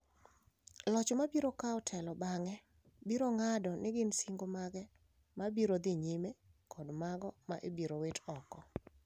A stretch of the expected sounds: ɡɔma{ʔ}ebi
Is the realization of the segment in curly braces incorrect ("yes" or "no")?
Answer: no